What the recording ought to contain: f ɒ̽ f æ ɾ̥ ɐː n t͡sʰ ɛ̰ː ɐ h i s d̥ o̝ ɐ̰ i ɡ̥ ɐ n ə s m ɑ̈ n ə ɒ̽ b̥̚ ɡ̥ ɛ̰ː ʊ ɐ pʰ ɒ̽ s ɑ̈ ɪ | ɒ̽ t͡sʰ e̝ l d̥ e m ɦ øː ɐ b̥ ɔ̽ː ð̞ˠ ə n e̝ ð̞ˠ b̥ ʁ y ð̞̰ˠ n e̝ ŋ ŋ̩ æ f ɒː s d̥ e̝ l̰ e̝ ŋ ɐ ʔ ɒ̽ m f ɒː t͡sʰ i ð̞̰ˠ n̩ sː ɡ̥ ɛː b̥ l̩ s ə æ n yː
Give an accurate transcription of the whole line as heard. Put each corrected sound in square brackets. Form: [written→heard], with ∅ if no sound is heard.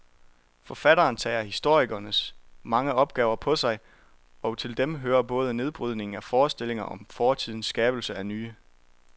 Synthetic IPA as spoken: f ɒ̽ f æ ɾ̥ ɐː n t͡sʰ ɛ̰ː ɐ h i s d̥ o̝ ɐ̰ i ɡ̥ ɐ n ə s m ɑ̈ [n→ŋ] ə ɒ̽ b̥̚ ɡ̥ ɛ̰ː ʊ ɐ pʰ ɒ̽ s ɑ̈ ɪ | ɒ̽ t͡sʰ e̝ l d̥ e m ɦ øː ɐ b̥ ɔ̽ː ð̞ˠ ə n e̝ ð̞ˠ b̥ ʁ y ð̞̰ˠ n e̝ ŋ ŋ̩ æ f ɒː s d̥ e̝ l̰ e̝ ŋ ɐ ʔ ɒ̽ m f ɒː t͡sʰ i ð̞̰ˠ n̩ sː ɡ̥ ɛː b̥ l̩ s ə æ n yː